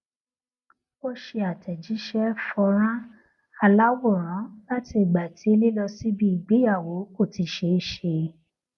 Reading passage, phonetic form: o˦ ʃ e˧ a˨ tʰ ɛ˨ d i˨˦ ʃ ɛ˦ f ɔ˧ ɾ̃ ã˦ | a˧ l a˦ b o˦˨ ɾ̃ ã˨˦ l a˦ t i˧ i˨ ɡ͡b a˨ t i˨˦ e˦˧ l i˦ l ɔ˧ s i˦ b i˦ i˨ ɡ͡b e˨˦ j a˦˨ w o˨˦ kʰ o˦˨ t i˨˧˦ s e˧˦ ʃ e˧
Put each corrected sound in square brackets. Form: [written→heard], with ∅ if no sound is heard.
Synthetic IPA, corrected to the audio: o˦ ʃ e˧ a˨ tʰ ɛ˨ [d→d͡ʒ] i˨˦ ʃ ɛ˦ f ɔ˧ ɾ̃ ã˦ | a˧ l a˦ [b→w] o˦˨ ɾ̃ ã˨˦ l a˦ t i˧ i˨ ɡ͡b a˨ t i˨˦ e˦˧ l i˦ l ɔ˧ s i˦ b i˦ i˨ ɡ͡b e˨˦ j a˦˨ w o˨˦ [kʰ→k] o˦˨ t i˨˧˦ [s→ʃ] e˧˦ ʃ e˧